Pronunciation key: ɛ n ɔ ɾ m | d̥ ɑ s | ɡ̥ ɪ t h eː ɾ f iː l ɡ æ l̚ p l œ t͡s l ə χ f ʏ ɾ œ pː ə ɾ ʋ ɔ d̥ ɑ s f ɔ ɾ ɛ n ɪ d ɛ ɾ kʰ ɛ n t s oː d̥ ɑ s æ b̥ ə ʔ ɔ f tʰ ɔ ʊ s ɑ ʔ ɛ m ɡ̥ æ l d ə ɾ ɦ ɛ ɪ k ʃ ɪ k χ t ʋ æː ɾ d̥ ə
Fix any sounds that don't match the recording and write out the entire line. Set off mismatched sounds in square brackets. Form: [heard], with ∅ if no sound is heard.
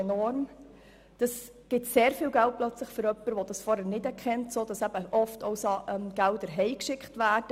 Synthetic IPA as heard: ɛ n ɔ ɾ m | d̥ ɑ s | ɡ̥ ɪ t [s] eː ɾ f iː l ɡ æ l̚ p l œ t͡s l ə χ f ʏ ɾ œ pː ə ɾ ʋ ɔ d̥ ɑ s f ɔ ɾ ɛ n ɪ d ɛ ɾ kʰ ɛ n t s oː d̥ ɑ s æ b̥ ə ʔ ɔ f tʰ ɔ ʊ s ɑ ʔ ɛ m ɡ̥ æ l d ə ɾ ɦ ɛ ɪ k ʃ ɪ k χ t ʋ æː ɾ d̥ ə

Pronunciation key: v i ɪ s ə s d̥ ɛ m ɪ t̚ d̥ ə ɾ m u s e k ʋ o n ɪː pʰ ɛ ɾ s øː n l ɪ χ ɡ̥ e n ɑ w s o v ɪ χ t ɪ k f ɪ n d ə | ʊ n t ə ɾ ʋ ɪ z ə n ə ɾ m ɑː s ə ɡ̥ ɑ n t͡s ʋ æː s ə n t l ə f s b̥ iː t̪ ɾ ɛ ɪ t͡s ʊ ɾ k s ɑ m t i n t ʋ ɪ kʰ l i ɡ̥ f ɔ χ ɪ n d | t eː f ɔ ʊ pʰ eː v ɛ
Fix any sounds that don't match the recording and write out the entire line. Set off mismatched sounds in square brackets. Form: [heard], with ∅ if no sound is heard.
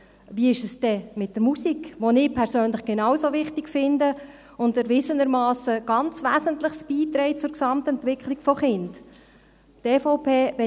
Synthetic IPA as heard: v i ɪ [ʃ] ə s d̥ ɛ m ɪ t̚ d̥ ə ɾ m u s [i] k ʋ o n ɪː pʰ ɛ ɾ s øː n l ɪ χ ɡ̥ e n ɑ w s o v ɪ χ t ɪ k f ɪ n d ə | ʊ n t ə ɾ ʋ ɪ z ə n ə ɾ m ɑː s ə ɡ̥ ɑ n t͡s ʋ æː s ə n t l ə [χ] s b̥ iː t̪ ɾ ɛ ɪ t͡s ʊ ɾ k s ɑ m t [ɛ] n t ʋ ɪ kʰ l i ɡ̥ f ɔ χ ɪ n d | t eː f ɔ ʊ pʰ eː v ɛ

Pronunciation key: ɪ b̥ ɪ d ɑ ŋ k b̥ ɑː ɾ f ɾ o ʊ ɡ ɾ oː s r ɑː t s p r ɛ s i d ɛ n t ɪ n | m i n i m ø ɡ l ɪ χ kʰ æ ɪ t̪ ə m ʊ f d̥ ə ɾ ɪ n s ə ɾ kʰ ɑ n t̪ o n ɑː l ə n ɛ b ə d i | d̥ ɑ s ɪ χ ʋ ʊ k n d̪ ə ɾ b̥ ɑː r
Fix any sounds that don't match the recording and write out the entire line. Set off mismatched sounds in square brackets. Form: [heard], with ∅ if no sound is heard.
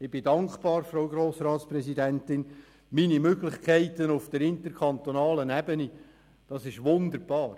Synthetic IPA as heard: ɪ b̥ ɪ d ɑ ŋ k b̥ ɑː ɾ f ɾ o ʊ ɡ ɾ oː s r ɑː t s p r ɛ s i d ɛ n t ɪ n | m i n i m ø ɡ l ɪ χ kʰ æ ɪ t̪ ə [n] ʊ f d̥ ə ɾ ɪ n [t] ə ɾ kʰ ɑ n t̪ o n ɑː l ə n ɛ b ə [n] i | d̥ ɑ s ɪ [ʃ] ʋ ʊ [∅] n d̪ ə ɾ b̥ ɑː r

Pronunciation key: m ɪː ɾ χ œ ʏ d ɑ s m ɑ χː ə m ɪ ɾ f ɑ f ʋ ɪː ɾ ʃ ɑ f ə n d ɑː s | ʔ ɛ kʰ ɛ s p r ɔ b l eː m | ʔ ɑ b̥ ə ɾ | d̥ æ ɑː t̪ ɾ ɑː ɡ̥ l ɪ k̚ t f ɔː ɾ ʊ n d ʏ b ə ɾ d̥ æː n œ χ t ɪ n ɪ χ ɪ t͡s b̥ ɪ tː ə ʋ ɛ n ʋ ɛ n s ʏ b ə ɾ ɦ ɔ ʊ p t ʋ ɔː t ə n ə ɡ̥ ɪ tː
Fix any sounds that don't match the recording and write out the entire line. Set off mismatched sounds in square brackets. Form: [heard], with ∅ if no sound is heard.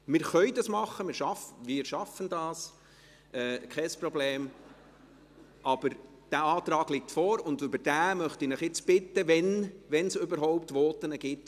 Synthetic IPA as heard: m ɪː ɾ χ œ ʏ d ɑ s m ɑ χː ə m ɪ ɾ [ʃ] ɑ f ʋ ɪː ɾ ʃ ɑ f ə n d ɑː s | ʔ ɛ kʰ ɛ s p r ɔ b l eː m | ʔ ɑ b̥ ə ɾ | d̥ æ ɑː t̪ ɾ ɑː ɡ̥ l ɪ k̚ t f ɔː ɾ ʊ n d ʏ b ə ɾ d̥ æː [m] œ χ t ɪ n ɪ χ ɪ t͡s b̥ ɪ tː ə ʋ ɛ n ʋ ɛ n s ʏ b ə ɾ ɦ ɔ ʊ p t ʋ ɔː t ə n ə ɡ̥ ɪ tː

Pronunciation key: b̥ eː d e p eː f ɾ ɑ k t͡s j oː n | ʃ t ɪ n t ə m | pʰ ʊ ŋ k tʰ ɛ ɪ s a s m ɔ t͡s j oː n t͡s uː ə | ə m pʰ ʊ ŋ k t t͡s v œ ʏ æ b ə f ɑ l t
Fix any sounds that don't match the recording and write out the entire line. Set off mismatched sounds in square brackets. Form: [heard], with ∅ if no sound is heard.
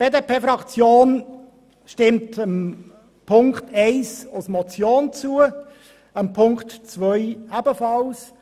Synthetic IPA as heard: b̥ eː d e p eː f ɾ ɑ k t͡s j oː n | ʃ t ɪ [m] t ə m | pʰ ʊ ŋ k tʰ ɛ ɪ s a s m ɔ t͡s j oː n t͡s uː ə | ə m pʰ ʊ ŋ k t t͡s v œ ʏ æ b ə f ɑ l [s]

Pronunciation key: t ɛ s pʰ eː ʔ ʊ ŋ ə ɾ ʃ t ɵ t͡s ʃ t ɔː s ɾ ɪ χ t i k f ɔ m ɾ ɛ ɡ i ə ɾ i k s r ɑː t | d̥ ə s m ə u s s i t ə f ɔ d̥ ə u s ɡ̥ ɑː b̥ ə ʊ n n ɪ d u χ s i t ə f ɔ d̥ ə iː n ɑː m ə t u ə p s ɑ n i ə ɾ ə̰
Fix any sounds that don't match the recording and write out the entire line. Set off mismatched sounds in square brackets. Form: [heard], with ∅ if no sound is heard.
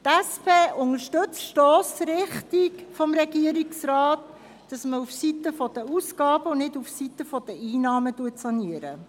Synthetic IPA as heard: t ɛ s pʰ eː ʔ ʊ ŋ ə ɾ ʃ t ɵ t͡s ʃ t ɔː s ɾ ɪ χ t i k f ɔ m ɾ ɛ ɡ i ə ɾ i k s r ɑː t | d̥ [ɑ] s m ə u [f] s i t ə f ɔ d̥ ə u s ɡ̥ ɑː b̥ ə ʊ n n ɪ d u [f] s i t ə f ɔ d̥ ə iː n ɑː m ə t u ə [t] s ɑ n i ə ɾ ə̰

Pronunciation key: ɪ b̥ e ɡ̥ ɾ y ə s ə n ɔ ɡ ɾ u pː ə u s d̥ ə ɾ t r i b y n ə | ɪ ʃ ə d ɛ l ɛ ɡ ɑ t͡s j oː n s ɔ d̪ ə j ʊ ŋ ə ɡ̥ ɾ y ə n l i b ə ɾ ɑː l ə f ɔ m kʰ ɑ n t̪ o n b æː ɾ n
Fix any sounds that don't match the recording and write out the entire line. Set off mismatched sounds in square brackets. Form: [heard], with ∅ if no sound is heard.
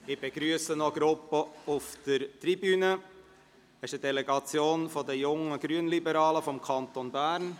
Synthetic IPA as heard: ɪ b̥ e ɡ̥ ɾ y ə s ə n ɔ ɡ ɾ [ʊ] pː ə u [f] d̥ ə ɾ t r i b y n ə | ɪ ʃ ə d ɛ l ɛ ɡ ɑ t͡s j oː n [f] ɔ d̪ ə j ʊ ŋ ə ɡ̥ ɾ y ə n l i b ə ɾ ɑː l ə f ɔ m kʰ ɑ n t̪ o n b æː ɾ n

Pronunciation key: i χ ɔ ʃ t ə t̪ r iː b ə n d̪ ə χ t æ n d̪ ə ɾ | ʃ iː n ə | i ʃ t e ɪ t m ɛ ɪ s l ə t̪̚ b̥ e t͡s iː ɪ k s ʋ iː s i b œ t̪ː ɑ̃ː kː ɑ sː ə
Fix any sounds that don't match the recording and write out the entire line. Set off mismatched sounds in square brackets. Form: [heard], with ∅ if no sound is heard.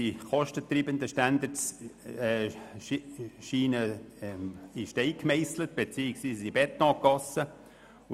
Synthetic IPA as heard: i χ ɔ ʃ t ə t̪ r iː b ə n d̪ ə [ʃ] t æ n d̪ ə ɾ | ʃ iː n ə | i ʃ t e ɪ [k] m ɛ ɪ s l ə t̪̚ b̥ e t͡s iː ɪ k s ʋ iː s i b [ɛ] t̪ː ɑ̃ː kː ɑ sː ə

